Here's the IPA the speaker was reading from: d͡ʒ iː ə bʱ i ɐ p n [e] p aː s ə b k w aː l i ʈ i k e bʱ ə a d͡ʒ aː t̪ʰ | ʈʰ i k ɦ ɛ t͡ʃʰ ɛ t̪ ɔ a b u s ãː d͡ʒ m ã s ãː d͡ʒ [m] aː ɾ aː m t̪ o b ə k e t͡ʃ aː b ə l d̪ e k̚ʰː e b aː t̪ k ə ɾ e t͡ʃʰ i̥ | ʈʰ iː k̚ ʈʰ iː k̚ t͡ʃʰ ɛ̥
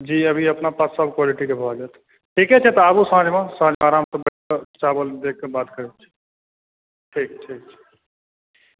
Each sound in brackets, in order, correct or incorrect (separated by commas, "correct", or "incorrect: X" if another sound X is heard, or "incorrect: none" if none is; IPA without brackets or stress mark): incorrect: a, correct